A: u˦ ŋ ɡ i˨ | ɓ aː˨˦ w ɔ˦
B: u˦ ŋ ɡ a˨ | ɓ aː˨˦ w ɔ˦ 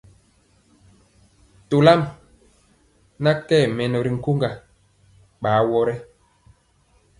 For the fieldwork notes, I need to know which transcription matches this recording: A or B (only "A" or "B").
B